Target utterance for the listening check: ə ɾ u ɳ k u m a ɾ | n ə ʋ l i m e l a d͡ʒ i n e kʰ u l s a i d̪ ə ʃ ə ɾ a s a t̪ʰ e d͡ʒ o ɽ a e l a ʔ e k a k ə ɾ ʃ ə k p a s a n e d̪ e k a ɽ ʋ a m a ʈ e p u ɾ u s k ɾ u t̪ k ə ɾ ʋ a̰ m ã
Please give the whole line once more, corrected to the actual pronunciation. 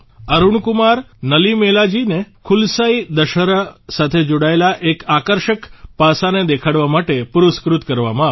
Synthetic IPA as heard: ə ɾ u ɳ k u m a ɾ | n ə l i m e l a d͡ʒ i n e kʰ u l s a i d̪ ə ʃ ə ɾ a s a t̪ʰ e d͡ʒ o ɽ a e l a ʔ e k a k ə ɾ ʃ ə k p a s a n e d̪ e kʰ a ɽ ʋ a m a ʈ e p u ɾ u s k ɾ u t̪ k ə ɾ ʋ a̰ m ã